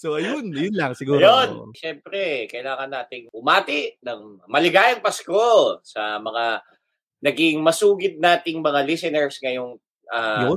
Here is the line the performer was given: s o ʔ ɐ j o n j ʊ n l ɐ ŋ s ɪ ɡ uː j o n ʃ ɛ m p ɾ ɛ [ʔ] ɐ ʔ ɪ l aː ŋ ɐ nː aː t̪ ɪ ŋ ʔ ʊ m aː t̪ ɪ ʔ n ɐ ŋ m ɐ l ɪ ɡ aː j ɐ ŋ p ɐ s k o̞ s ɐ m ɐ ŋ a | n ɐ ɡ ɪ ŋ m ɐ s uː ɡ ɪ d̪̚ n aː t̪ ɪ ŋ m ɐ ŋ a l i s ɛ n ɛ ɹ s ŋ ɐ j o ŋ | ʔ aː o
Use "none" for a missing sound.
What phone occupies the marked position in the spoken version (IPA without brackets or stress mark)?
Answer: k